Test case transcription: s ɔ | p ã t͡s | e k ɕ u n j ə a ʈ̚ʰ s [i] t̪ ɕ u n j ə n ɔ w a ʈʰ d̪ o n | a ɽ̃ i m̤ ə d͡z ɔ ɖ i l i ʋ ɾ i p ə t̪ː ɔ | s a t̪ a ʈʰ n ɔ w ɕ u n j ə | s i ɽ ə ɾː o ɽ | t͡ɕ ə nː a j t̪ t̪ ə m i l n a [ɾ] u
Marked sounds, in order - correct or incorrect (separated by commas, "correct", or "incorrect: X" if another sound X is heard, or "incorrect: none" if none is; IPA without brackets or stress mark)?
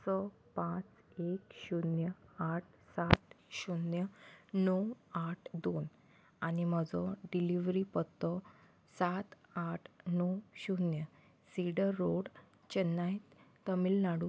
incorrect: a, incorrect: ɽ